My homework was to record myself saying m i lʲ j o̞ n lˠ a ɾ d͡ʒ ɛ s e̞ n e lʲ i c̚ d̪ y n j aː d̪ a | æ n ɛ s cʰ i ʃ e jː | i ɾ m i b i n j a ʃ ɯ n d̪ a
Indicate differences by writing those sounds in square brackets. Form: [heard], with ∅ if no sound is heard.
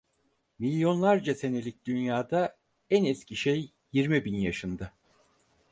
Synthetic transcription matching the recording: m i lʲ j o̞ n lˠ a ɾ d͡ʒ [a] s e̞ n e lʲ i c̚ d̪ y n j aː d̪ a | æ n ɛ s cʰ i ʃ e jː | i ɾ m i b i n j a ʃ ɯ n d̪ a